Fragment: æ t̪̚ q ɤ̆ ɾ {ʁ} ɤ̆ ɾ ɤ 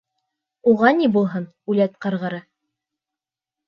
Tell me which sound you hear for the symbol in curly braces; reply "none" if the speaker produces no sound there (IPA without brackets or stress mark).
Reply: ʁ